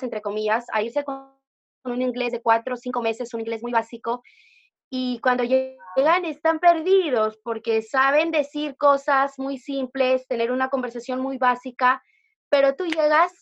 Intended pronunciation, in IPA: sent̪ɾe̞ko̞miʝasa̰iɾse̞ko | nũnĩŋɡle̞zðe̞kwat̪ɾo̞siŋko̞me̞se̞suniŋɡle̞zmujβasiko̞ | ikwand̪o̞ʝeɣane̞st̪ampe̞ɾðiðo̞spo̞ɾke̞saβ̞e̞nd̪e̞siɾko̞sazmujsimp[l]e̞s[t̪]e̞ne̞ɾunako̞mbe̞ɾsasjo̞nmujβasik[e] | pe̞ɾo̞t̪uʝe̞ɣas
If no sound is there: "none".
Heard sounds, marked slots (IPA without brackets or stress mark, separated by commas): l, t̪, a